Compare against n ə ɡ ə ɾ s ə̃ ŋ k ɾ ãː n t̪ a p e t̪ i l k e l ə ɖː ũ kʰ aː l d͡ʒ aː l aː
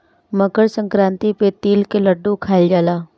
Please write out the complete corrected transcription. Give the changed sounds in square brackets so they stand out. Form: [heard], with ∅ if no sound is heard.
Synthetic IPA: [m] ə ɡ ə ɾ s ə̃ ŋ k ɾ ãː n t̪ [i] p e t̪ [iː] l k e l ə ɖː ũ kʰ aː l d͡ʒ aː l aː